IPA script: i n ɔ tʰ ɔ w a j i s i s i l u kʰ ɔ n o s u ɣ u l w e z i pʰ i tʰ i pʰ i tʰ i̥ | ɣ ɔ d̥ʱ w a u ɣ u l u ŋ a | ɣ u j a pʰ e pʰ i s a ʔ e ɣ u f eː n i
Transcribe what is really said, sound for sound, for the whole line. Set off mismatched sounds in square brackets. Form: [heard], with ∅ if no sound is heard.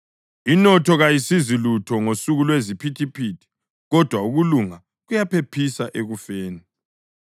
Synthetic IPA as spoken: i n ɔ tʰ ɔ [ɣ] a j i s i [z] i l u [tʰ] ɔ [ŋ] o s u ɣ u l w e z i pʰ i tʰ i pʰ i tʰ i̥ | ɣ ɔ d̥ʱ w a u ɣ u l u ŋ a | ɣ u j a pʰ e pʰ i s a ʔ e ɣ u f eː n i